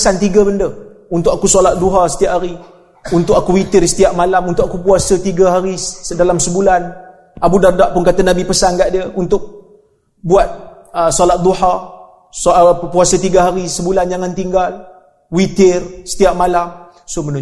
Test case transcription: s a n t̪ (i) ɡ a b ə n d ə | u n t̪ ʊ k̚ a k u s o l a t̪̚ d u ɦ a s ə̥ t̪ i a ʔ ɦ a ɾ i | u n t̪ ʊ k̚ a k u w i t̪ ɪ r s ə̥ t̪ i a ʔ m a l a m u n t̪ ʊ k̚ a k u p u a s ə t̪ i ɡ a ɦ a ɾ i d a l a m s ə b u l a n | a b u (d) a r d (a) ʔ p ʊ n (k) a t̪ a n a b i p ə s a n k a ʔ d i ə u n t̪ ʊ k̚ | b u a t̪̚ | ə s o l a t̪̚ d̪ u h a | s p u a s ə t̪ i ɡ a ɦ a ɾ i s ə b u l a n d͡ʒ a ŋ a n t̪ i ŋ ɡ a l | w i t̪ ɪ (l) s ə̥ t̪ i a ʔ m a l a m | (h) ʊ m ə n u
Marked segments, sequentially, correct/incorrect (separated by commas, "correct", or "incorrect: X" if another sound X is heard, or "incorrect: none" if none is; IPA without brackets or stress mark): correct, correct, correct, correct, incorrect: r, incorrect: s